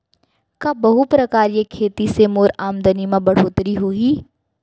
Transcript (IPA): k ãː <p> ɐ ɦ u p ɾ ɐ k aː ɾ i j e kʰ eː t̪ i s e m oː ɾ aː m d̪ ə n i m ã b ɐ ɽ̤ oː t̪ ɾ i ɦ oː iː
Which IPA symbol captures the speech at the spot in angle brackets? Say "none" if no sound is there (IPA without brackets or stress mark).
b